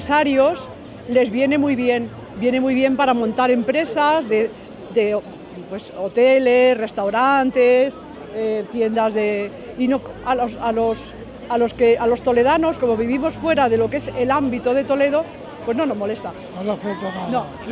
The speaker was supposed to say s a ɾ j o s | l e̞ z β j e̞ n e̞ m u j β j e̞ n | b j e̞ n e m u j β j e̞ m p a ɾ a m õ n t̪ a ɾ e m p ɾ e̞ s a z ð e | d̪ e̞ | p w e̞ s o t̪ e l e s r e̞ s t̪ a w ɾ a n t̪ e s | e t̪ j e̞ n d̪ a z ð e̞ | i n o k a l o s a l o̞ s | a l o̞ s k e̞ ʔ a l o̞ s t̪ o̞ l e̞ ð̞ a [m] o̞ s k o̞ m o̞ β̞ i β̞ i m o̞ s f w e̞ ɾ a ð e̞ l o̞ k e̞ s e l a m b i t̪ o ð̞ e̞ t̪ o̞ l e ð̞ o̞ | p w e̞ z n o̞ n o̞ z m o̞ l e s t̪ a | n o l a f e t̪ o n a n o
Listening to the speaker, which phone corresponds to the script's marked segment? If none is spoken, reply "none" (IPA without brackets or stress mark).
n